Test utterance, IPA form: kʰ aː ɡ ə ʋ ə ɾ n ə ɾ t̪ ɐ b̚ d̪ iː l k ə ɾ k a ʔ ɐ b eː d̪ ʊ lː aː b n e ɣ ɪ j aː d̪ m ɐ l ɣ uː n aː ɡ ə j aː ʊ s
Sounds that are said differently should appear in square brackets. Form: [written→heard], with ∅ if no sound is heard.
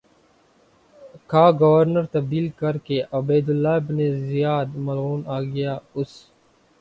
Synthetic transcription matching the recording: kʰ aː ɡ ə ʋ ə ɾ n ə ɾ t̪ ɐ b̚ d̪ iː l k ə ɾ k [a→e] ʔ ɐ b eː d̪ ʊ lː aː b n e [ɣ→z] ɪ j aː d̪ m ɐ l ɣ uː n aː ɡ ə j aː ʊ s